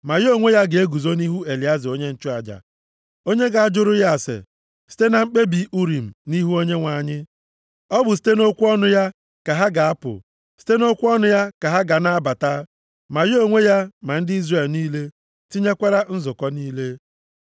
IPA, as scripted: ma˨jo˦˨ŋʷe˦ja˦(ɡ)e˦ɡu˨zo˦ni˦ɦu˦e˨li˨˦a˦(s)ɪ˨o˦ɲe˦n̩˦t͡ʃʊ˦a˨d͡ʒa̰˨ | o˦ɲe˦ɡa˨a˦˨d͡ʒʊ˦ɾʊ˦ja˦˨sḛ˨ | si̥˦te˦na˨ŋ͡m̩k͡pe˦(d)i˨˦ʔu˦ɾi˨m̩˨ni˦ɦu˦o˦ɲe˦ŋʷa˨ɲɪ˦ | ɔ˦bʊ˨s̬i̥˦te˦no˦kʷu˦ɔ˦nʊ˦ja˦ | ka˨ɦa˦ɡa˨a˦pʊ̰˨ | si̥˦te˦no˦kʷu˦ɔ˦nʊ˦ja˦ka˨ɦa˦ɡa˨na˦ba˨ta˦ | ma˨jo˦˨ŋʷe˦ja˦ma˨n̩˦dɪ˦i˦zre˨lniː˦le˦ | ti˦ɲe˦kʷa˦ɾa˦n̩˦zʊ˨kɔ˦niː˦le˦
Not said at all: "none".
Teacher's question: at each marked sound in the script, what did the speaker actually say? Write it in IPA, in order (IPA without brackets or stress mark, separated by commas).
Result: ɡ, z, b